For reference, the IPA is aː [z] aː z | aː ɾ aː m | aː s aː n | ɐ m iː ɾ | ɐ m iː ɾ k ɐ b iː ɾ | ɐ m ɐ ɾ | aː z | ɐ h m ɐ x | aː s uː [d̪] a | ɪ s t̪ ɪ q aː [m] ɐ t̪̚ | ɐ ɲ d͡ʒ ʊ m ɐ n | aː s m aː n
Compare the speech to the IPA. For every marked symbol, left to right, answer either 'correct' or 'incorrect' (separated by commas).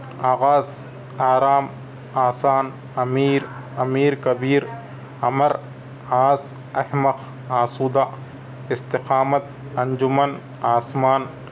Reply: incorrect, correct, correct